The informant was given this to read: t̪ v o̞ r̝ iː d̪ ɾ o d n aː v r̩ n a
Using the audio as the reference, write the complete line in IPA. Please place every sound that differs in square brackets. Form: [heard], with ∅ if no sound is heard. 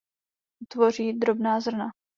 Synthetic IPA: t̪ v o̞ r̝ iː d̪ ɾ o [b] n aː [z] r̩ n a